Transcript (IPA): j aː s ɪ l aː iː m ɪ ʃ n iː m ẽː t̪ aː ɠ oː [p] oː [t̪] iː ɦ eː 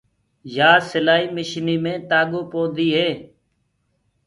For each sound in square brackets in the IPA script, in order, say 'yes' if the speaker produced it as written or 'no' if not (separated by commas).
yes, no